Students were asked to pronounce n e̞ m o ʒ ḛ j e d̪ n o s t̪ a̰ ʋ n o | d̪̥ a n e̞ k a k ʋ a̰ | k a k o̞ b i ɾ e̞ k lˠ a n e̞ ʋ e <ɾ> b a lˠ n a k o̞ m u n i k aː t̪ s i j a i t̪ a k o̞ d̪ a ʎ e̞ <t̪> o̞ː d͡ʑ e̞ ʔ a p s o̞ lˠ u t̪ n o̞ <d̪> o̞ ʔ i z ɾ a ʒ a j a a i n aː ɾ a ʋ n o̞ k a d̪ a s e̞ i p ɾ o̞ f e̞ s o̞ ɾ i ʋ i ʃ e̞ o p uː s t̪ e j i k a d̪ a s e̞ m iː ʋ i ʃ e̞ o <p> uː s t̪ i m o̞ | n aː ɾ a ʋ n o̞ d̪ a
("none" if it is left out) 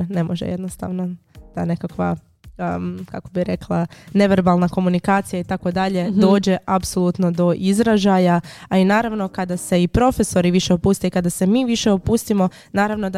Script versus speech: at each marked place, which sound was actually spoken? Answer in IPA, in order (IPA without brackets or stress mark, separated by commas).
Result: ɾ, d̪, d̪, p